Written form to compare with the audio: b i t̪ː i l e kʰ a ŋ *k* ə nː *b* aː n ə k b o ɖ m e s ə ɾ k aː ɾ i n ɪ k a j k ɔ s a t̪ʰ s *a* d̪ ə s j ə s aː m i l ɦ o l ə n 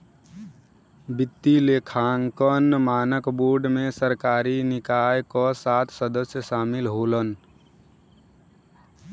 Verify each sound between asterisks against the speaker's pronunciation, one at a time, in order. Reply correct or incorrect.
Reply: correct, incorrect, incorrect

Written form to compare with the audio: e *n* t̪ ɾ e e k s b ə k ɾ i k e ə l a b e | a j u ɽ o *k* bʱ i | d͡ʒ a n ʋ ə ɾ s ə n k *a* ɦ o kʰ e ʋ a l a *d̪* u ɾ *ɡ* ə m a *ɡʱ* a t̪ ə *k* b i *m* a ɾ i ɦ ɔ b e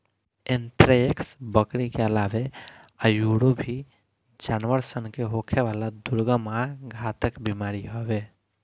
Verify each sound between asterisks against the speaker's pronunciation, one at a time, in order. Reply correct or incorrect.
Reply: correct, incorrect, incorrect, correct, correct, correct, correct, correct

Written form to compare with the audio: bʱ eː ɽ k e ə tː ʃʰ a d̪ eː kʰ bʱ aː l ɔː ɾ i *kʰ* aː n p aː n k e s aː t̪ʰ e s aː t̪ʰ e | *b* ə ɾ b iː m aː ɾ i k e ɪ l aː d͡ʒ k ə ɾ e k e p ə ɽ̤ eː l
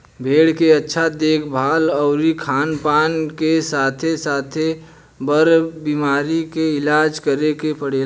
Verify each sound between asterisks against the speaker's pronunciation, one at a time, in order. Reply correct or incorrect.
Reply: correct, correct

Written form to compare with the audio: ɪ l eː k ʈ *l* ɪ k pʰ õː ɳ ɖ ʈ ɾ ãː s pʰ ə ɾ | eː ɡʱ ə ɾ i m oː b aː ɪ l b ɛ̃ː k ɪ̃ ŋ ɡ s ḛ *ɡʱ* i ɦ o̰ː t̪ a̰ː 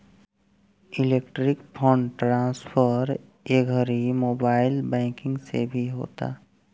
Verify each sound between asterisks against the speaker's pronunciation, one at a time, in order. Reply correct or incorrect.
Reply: incorrect, incorrect

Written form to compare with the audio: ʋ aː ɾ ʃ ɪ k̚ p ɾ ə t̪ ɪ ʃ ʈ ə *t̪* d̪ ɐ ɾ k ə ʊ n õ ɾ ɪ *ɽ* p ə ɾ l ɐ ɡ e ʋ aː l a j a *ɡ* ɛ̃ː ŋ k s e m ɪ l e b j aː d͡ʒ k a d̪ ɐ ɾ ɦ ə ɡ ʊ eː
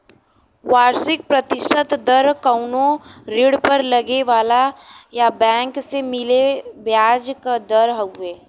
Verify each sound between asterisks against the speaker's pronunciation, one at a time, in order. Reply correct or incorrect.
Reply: correct, correct, incorrect

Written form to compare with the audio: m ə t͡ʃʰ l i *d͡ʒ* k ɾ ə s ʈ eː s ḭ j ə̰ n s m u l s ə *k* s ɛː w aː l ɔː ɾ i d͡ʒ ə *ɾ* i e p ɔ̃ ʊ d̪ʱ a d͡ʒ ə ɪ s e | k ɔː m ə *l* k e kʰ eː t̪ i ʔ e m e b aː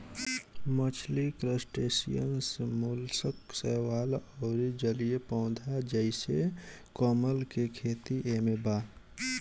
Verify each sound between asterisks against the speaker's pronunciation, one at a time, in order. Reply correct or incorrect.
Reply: incorrect, correct, incorrect, correct

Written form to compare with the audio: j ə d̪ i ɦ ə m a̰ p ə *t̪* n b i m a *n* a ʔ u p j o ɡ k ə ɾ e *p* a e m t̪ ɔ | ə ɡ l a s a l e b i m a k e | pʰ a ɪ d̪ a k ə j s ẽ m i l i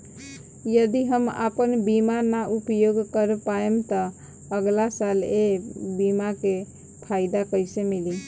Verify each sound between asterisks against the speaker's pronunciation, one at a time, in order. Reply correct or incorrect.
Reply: incorrect, correct, correct

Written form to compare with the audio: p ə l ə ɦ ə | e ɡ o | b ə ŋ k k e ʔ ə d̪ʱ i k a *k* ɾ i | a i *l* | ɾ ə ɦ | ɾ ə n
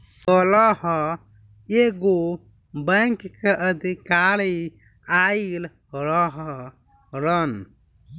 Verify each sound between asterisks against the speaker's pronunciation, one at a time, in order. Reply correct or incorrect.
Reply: incorrect, correct

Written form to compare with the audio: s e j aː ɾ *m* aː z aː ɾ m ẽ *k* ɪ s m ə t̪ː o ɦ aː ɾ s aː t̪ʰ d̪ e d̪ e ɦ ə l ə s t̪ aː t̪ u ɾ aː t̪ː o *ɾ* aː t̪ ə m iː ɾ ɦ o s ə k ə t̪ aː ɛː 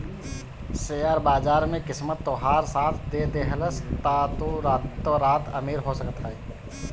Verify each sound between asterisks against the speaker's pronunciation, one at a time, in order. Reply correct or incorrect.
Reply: incorrect, correct, correct

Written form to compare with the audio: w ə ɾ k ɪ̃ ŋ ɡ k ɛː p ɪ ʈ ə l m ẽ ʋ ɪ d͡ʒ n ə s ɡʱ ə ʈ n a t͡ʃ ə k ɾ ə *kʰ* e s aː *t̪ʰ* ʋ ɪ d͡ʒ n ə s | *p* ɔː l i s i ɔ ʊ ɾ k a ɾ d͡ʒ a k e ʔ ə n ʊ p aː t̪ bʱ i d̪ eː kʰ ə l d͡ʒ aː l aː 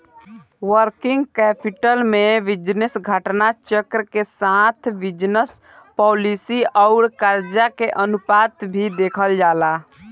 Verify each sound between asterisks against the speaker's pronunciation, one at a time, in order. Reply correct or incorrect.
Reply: incorrect, correct, correct

